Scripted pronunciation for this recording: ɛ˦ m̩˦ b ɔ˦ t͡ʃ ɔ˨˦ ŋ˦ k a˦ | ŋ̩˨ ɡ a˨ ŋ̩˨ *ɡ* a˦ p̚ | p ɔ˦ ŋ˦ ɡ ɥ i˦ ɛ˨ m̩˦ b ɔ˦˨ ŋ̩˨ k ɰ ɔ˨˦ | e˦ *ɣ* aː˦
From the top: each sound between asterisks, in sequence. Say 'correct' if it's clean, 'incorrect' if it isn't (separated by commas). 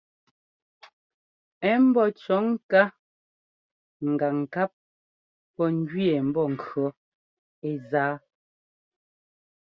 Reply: incorrect, incorrect